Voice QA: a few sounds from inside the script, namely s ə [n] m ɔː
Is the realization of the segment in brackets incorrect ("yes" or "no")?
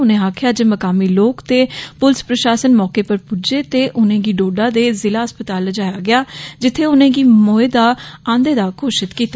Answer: no